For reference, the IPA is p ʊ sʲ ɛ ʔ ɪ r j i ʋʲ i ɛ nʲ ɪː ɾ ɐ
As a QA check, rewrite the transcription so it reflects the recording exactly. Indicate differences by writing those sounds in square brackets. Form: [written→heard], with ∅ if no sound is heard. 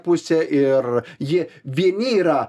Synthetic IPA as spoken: p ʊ sʲ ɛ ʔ ɪ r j [i→ɪ] ʋʲ i ɛ nʲ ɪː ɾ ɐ